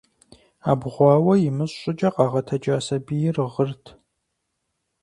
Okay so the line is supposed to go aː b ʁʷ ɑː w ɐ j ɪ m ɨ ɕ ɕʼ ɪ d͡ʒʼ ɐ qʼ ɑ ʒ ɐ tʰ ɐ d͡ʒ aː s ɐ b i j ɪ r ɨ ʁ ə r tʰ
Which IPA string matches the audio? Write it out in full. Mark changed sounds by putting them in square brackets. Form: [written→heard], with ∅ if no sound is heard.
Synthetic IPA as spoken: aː b ʁʷ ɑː w ɐ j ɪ m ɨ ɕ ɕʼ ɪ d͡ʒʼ ɐ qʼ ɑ [ʒ→ʁ] ɐ tʰ ɐ d͡ʒ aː s ɐ b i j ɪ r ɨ ʁ ə r tʰ